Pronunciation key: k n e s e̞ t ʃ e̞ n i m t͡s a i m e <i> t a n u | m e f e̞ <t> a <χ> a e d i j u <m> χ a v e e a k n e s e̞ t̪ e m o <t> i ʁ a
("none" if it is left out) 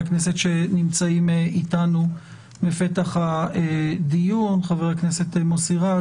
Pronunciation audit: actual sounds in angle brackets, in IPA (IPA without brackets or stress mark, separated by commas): i, t, χ, n, s